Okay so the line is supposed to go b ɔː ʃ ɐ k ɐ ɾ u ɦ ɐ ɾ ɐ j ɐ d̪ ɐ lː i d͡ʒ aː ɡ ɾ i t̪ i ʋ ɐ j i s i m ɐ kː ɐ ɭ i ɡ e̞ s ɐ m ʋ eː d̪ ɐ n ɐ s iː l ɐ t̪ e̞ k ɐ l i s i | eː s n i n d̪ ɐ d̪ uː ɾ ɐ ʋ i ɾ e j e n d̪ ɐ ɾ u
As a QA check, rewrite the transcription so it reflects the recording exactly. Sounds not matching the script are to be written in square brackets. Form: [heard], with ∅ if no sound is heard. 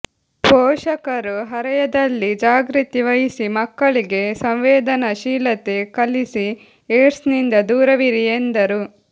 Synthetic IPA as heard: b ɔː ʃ ɐ k ɐ ɾ u ɦ ɐ ɾ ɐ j ɐ d̪ ɐ lː i d͡ʒ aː ɡ ɾ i t̪ i ʋ ɐ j i s i m ɐ kː ɐ ɭ i ɡ e̞ s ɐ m ʋ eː d̪ ɐ n ɐ [ʃ] iː l ɐ t̪ e̞ k ɐ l i s i | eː s n i n d̪ ɐ d̪ uː ɾ ɐ ʋ i ɾ [i] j e n d̪ ɐ ɾ u

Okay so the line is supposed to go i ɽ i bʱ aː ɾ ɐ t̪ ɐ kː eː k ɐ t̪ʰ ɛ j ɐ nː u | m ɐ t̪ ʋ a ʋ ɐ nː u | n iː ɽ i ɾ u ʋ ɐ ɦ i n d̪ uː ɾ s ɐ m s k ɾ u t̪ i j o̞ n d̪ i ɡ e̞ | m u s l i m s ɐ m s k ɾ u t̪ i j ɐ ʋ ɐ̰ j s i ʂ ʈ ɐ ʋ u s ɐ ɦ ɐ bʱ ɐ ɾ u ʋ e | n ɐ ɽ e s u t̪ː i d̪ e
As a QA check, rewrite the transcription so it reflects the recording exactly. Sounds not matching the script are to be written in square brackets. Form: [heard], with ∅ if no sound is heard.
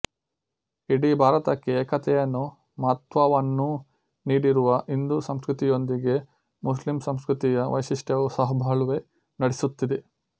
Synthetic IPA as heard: i ɽ i bʱ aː ɾ ɐ t̪ ɐ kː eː k ɐ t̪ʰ ɛ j ɐ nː u | m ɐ t̪ ʋ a ʋ ɐ nː u | n iː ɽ i ɾ u ʋ ɐ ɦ i n d̪ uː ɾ s ɐ m s k ɾ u t̪ i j o̞ n d̪ i ɡ e̞ | m u s l i m s ɐ m s k ɾ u t̪ i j ɐ ʋ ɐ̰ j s i ʂ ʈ ɐ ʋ u s ɐ ɦ ɐ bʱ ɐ [ɭ] u ʋ e | n ɐ ɽ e s u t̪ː i d̪ e

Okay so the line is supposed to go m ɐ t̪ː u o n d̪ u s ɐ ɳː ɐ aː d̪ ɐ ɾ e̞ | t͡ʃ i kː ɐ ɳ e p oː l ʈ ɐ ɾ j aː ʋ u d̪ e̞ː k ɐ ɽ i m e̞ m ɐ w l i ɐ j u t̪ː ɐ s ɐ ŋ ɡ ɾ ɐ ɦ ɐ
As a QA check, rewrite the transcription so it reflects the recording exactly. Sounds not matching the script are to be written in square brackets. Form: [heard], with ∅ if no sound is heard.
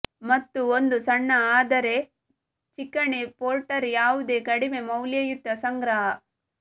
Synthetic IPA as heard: m ɐ t̪ː u o n d̪ u s ɐ ɳː ɐ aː d̪ ɐ ɾ e̞ | t͡ʃ i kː ɐ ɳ e p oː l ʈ ɐ ɾ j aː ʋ u d̪ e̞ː k ɐ ɽ i m e̞ m ɐ w l [j] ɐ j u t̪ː ɐ s ɐ ŋ ɡ ɾ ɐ ɦ ɐ

